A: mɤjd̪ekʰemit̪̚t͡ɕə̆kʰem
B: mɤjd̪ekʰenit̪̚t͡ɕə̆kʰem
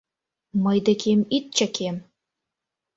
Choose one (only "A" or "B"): A